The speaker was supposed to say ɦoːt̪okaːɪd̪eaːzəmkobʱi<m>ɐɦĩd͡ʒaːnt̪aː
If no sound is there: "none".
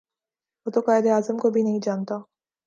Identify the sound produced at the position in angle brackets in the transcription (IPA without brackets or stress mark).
n